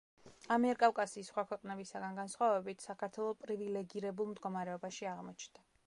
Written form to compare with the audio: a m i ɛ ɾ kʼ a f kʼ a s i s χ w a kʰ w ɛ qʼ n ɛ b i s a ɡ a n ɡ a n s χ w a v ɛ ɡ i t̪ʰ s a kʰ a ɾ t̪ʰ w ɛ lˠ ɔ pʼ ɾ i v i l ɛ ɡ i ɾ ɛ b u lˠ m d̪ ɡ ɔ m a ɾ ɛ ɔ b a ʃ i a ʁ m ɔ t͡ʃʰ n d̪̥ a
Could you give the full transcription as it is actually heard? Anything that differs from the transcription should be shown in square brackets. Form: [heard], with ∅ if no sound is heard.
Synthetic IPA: a m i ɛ ɾ kʼ a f kʼ a s [iː] s χ w a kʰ w ɛ qʼ n ɛ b i s a ɡ a n ɡ a n s χ w a v ɛ [b] i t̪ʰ s a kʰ a ɾ t̪ʰ w ɛ lˠ ɔ pʼ ɾ i v i l ɛ ɡ i ɾ ɛ b u lˠ m d̪ ɡ ɔ m a ɾ ɛ ɔ b a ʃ i a ʁ m ɔ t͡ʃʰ n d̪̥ a